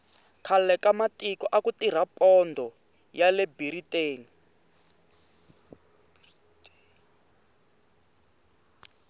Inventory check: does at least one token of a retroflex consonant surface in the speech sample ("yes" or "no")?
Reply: no